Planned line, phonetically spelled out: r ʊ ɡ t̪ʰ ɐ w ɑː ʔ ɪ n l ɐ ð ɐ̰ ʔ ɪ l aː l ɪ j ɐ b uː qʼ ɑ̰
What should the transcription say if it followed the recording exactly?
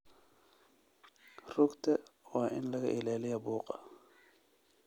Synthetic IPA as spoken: r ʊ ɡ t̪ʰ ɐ w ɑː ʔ ɪ n l ɐ ɣ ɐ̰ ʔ ɪ l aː l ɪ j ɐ b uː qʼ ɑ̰